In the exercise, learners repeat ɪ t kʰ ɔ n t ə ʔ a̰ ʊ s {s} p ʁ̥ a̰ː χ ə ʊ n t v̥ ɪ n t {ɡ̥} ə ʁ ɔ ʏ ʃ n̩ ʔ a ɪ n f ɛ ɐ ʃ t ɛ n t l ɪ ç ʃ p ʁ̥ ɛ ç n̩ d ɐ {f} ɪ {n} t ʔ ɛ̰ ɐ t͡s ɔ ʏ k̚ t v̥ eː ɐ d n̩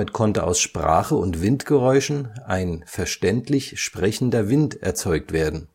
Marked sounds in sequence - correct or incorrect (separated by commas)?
incorrect, correct, incorrect, correct